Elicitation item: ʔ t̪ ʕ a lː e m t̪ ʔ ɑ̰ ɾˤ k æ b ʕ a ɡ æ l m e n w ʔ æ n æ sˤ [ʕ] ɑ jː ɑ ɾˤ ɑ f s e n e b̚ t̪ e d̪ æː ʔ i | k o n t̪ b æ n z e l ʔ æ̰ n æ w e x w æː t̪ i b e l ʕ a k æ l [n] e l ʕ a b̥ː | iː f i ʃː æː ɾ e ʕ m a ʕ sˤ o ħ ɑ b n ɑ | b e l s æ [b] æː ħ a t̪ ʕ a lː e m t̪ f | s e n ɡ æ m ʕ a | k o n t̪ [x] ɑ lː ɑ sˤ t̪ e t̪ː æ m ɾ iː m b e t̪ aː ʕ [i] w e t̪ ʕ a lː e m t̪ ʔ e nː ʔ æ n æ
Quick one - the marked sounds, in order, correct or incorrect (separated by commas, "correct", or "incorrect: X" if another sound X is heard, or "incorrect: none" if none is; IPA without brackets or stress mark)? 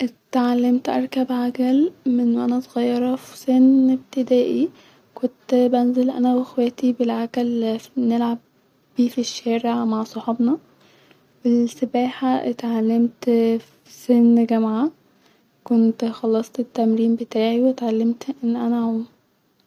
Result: incorrect: ɣ, correct, correct, correct, correct